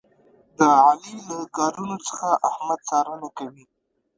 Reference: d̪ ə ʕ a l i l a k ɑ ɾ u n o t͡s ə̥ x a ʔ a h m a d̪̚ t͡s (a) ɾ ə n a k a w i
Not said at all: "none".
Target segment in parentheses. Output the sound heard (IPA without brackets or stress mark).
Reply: ɑ